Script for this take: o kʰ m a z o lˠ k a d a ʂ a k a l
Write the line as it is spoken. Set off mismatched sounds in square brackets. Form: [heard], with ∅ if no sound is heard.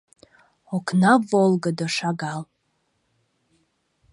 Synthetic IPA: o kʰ [n] a [v] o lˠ [ɡ] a d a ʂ a [ɡ] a l